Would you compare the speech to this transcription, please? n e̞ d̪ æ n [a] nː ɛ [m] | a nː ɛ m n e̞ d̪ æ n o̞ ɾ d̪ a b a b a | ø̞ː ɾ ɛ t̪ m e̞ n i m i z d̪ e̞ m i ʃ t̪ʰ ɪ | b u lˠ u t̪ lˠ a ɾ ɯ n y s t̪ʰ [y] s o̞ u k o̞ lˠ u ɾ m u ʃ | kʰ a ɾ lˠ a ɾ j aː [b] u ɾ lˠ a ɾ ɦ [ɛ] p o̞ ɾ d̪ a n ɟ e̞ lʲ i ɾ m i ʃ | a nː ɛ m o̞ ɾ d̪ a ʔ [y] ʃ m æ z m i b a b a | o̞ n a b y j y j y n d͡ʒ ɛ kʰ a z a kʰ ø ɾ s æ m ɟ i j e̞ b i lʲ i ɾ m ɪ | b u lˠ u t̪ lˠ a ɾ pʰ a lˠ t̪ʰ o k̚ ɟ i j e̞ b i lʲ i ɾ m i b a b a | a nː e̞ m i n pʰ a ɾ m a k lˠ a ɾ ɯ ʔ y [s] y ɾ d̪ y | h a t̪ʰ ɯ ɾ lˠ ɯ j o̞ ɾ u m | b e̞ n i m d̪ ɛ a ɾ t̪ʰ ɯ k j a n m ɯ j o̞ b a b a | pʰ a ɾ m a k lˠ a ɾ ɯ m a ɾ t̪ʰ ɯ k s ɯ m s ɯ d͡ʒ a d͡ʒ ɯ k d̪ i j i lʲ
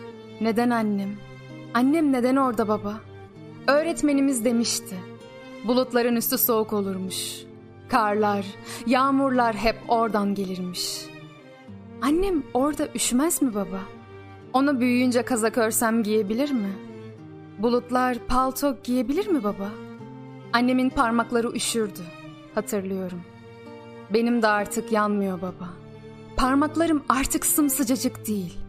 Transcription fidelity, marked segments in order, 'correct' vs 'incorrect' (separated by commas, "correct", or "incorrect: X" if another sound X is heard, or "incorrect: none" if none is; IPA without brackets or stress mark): correct, correct, correct, incorrect: m, correct, correct, incorrect: ʃ